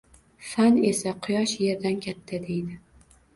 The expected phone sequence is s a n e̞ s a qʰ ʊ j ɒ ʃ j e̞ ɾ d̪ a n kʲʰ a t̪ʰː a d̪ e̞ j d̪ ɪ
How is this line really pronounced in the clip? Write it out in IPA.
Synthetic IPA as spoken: f a n e̞ s a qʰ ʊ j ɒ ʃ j e̞ ɾ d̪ a n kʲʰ a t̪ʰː a d̪ e̞ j d̪ ɪ